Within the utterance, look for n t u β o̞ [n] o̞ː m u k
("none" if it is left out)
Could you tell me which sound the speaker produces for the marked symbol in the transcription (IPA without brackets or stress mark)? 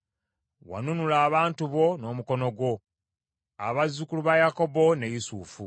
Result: n